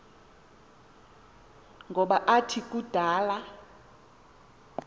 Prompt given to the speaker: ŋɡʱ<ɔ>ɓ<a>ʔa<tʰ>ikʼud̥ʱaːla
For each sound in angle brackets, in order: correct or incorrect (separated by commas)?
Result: correct, correct, correct